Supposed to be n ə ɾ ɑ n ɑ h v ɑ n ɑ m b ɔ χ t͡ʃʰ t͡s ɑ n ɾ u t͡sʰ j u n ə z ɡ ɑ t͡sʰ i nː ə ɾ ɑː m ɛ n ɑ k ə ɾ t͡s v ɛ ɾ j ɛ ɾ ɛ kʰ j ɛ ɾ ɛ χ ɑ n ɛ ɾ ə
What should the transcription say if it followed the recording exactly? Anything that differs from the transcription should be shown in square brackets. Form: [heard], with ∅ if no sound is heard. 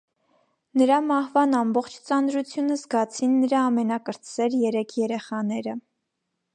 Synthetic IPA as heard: n ə ɾ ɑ [m] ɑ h v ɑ n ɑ m b ɔ χ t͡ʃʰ t͡s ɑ n ɾ u t͡sʰ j u n ə z ɡ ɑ t͡sʰ i nː ə ɾ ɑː m ɛ n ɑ k ə ɾ t͡s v ɛ ɾ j ɛ ɾ ɛ kʰ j ɛ ɾ ɛ χ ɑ n ɛ ɾ ə